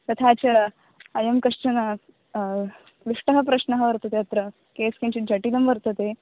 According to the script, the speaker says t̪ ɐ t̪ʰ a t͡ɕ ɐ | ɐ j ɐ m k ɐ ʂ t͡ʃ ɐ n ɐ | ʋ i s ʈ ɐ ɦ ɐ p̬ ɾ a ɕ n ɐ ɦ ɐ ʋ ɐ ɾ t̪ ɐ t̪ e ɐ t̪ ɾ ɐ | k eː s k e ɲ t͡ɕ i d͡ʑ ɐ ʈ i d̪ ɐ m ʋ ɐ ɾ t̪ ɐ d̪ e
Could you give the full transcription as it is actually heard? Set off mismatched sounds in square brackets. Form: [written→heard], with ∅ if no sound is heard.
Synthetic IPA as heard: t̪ ɐ t̪ʰ a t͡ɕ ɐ | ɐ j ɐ m k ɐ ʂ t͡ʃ ɐ n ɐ | ʋ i [s→ʂ] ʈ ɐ ɦ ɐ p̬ ɾ [a→ɐ] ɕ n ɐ ɦ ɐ ʋ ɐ ɾ t̪ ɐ t̪ e ɐ t̪ ɾ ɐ | k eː s k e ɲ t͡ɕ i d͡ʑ ɐ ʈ i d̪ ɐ m ʋ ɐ ɾ t̪ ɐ [d̪→t̪] e